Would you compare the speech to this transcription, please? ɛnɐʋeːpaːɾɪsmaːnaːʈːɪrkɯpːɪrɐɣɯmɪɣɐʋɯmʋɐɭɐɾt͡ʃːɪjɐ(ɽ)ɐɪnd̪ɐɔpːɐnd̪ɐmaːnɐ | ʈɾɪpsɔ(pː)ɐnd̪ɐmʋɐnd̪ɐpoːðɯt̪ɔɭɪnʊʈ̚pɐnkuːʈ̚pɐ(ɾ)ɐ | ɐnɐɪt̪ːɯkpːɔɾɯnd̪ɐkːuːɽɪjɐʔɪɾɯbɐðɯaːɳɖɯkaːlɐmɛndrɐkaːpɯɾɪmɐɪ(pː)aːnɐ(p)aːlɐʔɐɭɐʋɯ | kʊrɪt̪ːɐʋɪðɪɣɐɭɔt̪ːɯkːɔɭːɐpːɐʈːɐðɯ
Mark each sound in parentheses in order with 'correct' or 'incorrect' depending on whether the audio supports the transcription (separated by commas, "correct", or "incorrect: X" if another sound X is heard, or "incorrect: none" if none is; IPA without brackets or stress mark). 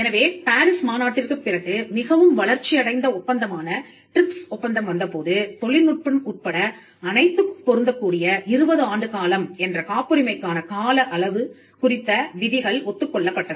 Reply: correct, correct, incorrect: ɽ, incorrect: kː, incorrect: k